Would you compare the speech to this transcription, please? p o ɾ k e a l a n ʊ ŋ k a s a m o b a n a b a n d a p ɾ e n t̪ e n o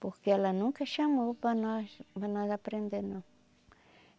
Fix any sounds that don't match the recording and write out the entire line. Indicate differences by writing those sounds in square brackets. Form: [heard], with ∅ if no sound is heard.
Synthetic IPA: p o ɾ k e a l a n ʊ ŋ k a [ʃ] a m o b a n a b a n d a p ɾ e n [d̪] e n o

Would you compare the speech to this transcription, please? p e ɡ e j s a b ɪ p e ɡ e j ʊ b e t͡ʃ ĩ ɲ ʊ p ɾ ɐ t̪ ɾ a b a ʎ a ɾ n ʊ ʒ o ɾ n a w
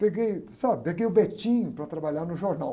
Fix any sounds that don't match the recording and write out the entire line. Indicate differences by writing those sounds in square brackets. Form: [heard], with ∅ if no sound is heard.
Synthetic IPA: p e ɡ e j s a b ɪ p e ɡ e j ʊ b e t͡ʃ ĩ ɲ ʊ p ɾ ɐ t̪ ɾ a b a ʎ a ɾ n ʊ ʒ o ɾ n a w

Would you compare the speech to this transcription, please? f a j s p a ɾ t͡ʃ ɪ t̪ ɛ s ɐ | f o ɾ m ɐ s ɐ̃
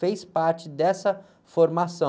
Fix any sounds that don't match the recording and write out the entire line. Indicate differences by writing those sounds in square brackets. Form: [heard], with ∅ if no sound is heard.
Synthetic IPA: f [e] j s p a ɾ t͡ʃ ɪ [d̪] ɛ s ɐ | f o ɾ m [a] s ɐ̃

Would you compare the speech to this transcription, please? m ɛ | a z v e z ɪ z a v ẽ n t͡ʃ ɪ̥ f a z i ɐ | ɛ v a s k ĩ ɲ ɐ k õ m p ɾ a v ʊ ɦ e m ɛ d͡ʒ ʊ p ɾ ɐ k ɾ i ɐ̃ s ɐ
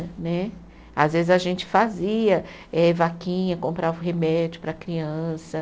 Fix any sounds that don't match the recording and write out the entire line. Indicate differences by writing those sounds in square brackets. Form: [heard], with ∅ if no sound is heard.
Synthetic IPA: [n] ɛ | a z v e z ɪ z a [ʒ] ẽ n t͡ʃ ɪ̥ f a z i ɐ | ɛ v a [∅] k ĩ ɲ ɐ k õ m p ɾ a v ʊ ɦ e m ɛ d͡ʒ ʊ p ɾ ɐ k ɾ i ɐ̃ s ɐ

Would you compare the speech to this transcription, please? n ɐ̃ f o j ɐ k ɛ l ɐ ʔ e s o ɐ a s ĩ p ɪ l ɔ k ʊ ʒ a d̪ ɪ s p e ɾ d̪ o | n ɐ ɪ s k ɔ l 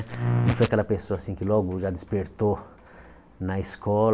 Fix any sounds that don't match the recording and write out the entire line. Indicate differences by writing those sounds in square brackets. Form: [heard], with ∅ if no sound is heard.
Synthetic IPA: n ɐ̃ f o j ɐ k ɛ l ɐ [p] e s o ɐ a s ĩ [k] ɪ l ɔ [ɡ] ʊ ʒ a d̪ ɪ s p e ɾ [t̪] o | n ɐ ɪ s k ɔ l

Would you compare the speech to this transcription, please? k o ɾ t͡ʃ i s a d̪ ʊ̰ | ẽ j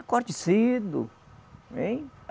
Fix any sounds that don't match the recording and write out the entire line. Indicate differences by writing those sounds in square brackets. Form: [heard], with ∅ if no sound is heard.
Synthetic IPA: k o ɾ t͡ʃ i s [i] d̪ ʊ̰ | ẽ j

